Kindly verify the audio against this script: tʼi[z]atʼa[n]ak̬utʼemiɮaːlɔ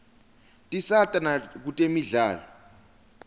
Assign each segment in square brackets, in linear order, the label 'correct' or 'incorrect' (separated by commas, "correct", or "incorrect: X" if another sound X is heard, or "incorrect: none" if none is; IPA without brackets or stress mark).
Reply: incorrect: s, correct